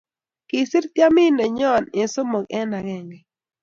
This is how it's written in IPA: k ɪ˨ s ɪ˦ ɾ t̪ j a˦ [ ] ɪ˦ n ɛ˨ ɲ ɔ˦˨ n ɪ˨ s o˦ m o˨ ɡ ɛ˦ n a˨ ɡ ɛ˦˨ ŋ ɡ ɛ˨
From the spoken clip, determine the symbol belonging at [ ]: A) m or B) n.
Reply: A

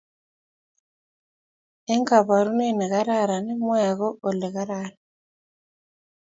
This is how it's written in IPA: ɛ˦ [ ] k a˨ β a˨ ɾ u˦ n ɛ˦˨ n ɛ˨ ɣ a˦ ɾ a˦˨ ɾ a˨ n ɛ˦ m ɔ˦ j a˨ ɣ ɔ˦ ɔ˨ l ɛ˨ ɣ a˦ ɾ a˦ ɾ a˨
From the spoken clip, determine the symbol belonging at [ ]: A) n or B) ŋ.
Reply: B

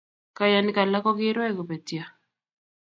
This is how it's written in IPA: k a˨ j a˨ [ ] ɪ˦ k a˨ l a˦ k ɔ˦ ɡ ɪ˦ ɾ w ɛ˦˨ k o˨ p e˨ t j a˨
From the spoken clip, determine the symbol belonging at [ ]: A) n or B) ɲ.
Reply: A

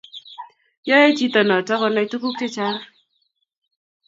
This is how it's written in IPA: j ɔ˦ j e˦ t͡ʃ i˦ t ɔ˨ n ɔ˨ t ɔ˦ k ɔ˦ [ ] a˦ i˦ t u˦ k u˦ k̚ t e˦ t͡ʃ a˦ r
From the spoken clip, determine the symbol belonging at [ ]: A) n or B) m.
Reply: A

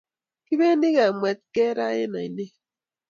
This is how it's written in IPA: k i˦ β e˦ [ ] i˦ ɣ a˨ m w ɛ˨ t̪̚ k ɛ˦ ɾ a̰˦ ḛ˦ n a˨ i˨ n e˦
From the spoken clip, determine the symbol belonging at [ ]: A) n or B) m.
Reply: A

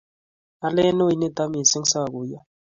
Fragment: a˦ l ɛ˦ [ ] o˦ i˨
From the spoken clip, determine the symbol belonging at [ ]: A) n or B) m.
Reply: A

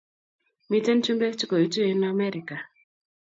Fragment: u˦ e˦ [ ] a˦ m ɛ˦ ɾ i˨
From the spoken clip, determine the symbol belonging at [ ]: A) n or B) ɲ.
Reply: A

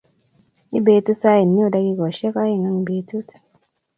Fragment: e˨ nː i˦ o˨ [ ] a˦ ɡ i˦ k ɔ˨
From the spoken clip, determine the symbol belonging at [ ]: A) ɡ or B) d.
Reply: B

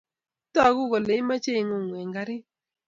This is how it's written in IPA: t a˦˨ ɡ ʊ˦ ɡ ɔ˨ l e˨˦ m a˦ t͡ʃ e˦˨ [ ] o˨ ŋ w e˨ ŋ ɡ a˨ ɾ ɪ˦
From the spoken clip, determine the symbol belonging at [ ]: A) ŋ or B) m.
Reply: A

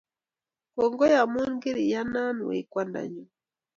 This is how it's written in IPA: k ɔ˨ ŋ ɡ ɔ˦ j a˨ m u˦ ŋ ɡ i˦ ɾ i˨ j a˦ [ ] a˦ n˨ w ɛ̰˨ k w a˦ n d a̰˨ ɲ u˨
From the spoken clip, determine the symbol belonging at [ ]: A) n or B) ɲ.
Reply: A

